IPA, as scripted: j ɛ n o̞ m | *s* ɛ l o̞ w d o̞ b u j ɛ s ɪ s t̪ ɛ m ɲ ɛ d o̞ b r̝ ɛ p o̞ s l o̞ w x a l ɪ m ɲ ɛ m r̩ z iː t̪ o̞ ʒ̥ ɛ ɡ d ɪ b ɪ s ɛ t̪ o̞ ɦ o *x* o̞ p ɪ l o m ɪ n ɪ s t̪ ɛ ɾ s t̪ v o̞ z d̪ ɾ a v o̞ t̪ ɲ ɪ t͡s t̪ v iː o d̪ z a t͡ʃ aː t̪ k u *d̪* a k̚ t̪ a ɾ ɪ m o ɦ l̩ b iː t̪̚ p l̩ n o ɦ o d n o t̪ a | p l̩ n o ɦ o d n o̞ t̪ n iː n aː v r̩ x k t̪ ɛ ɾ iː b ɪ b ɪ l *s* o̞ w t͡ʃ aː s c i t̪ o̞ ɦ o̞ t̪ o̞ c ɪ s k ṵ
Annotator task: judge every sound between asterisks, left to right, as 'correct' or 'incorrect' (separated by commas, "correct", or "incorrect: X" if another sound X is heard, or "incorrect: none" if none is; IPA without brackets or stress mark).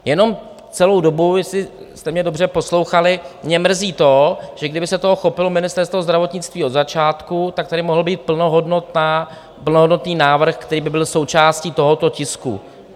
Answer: incorrect: t͡s, correct, incorrect: t̪, correct